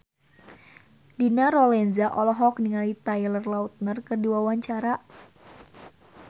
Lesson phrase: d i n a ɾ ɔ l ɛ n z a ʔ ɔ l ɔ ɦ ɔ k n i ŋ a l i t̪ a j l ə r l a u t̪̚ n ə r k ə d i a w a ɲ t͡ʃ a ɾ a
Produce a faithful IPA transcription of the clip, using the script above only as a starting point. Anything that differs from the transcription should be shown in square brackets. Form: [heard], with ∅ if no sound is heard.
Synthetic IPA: d i n a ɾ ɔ l ɛ n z a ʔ ɔ l ɔ ɦ ɔ k n i ŋ a l i t̪ a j l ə r l a u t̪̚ n ə r k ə d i a w a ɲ t͡ʃ a ɾ a